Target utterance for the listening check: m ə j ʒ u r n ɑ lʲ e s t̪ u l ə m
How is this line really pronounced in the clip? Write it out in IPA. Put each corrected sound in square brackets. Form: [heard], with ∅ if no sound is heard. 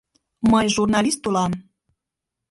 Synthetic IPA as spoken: m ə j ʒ u r n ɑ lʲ [i] s t̪ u l [ɑ] m